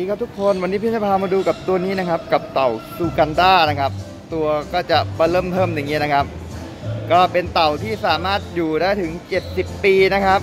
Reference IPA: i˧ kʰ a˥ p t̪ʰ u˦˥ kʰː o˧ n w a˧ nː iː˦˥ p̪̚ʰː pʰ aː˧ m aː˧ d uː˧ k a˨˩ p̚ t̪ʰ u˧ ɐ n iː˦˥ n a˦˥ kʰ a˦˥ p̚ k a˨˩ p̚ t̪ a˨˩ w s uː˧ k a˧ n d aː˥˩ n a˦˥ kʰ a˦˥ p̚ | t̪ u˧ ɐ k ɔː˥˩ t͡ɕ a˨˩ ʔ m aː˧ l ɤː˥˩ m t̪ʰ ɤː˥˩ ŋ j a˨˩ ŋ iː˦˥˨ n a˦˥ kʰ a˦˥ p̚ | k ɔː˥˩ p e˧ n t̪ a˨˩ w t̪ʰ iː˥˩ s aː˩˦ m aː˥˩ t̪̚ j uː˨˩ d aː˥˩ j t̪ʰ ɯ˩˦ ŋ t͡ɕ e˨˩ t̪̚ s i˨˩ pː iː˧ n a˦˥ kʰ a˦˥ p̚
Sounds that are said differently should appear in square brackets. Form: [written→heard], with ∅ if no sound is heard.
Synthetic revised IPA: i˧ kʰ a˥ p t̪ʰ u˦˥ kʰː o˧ n w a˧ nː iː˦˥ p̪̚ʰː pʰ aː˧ m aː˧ d uː˧ k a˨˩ p̚ [t̪ʰ→t̪] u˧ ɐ n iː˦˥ n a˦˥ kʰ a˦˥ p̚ k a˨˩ p̚ t̪ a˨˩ w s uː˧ k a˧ n d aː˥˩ n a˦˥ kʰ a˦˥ p̚ | t̪ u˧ ɐ k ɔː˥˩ t͡ɕ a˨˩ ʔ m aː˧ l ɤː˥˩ m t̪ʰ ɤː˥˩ [ŋ→m] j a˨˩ ŋ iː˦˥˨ n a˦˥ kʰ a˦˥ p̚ | k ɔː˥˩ p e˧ n t̪ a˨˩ w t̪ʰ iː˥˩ s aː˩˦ m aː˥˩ t̪̚ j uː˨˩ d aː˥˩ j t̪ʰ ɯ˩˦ ŋ t͡ɕ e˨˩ t̪̚ s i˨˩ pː iː˧ n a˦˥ kʰ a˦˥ p̚